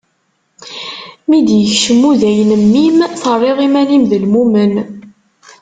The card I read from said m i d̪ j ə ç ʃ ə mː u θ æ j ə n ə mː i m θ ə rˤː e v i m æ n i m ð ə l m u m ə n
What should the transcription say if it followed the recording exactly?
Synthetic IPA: m i d̪ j ə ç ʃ ə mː u ð æ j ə n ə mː i m θ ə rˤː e ʁ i m æ n i m ð ə l m u m ə n